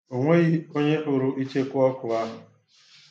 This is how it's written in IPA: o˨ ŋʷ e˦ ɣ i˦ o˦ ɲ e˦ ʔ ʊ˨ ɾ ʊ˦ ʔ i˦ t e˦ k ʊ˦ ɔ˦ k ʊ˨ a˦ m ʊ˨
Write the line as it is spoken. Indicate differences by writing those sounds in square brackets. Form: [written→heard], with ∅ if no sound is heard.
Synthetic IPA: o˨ ŋʷ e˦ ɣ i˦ o˦ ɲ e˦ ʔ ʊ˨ ɾ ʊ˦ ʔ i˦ [t→t͡ʃ] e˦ k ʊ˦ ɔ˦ k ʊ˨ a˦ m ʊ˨